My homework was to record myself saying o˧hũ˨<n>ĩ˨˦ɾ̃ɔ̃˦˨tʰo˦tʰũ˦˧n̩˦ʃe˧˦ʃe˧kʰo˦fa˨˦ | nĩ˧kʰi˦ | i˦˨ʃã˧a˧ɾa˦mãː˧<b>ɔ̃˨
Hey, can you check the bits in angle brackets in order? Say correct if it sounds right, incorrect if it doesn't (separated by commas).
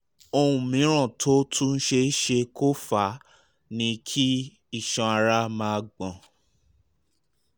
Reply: incorrect, incorrect